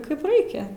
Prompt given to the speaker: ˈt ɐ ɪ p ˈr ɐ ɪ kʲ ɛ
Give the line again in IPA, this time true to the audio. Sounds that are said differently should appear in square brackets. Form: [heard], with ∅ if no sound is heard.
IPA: [ˈk] ɐ ɪ p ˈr ɐ ɪ kʲ ɛ